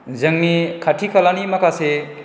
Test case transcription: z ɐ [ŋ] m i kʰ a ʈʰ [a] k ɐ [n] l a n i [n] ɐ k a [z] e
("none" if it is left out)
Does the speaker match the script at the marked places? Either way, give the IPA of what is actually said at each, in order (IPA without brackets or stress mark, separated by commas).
ŋ, i, none, m, s